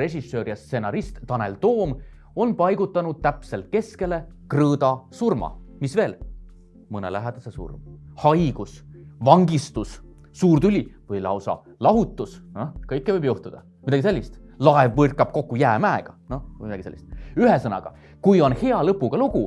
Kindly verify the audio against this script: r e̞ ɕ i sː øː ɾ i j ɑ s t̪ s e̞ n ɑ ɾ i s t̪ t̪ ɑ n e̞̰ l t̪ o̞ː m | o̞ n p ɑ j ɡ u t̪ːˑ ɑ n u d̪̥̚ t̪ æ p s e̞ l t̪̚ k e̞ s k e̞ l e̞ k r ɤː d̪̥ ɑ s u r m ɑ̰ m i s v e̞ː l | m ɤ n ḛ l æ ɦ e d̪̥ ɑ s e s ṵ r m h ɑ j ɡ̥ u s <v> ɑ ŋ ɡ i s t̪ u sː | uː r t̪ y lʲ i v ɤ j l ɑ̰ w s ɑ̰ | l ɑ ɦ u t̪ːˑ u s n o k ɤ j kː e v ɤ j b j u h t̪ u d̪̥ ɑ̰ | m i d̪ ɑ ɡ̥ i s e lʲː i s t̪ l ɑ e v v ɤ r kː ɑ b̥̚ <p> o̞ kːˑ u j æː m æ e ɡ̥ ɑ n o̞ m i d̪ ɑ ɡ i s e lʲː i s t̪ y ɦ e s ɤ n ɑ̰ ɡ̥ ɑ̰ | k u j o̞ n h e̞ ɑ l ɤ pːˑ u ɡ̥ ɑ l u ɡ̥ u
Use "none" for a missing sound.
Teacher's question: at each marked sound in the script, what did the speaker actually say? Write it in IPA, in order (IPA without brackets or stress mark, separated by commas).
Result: v, k